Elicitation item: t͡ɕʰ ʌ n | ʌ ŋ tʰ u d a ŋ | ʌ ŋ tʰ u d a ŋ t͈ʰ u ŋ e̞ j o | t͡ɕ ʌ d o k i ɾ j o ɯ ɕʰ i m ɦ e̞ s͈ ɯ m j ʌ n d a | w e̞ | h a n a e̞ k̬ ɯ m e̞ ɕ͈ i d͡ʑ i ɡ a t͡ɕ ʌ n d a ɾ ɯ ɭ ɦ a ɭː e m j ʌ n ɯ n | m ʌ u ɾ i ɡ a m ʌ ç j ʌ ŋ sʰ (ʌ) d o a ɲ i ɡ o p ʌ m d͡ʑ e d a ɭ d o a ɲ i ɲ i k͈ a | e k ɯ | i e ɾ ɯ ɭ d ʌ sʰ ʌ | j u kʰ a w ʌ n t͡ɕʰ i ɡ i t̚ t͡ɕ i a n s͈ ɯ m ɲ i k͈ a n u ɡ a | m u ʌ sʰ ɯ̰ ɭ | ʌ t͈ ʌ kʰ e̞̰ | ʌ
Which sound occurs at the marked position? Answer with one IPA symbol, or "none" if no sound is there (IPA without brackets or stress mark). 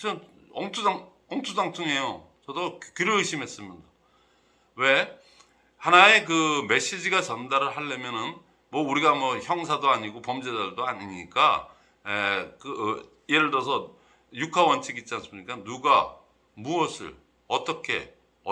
a